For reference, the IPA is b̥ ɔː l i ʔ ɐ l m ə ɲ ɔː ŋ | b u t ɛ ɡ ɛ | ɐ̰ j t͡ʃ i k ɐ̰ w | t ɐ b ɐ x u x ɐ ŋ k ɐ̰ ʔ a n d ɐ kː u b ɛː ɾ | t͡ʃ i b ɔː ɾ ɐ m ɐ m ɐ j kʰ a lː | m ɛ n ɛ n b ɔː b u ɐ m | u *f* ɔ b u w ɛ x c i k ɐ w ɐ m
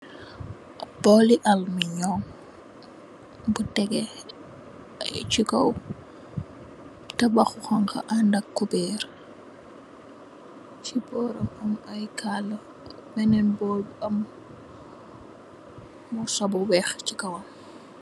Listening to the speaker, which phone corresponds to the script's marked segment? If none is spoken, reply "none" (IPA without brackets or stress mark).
s